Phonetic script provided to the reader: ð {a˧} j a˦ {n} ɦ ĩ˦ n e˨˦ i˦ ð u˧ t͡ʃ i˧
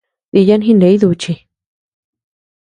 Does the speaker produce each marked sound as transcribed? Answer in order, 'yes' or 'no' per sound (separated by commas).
no, yes